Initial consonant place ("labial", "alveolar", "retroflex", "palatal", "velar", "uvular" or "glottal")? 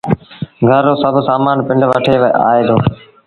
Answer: velar